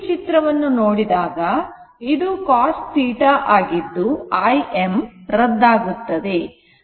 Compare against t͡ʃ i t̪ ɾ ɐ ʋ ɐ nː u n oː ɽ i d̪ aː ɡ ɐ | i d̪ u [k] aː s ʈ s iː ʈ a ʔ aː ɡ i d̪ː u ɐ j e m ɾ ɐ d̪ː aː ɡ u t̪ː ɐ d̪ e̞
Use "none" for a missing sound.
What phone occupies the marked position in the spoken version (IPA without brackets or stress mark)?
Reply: k